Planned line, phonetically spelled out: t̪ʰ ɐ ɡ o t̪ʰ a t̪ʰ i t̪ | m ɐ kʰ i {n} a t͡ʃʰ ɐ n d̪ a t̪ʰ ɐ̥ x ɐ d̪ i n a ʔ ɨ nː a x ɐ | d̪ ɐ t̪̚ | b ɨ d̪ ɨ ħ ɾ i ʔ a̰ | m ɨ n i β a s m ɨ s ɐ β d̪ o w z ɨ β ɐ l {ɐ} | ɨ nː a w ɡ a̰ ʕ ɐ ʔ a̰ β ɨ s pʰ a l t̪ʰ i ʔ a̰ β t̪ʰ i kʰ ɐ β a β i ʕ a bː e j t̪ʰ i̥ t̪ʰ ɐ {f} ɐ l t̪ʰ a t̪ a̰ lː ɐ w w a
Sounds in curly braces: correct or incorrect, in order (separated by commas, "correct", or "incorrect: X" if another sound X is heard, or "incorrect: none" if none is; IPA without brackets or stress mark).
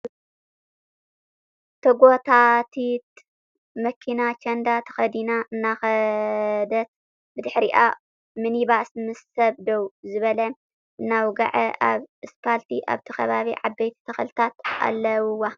correct, correct, incorrect: x